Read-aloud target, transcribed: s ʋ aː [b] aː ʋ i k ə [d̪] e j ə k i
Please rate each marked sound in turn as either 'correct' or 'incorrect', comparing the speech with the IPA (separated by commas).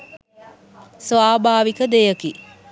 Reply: correct, correct